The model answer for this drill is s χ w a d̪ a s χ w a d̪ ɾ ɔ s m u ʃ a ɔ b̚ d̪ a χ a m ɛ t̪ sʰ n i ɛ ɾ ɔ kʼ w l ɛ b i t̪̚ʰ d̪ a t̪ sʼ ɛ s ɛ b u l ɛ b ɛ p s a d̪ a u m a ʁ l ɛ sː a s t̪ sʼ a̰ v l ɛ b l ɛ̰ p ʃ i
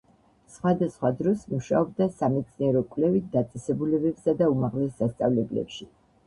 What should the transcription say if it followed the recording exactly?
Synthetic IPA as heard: s χ w a d̪ a s χ w a d̪ ɾ ɔ s m u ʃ a ɔ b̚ d̪ a s a m ɛ t̪ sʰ n i ɛ ɾ ɔ kʼ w l ɛ v i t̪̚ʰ d̪ a t̪ sʼ ɛ s ɛ b u l ɛ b ɛ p s a d̪ a u m a ʁ l ɛ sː a s t̪ sʼ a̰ v l ɛ b l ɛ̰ p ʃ i